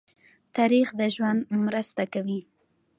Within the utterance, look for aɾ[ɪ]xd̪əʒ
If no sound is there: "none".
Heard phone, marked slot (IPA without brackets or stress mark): i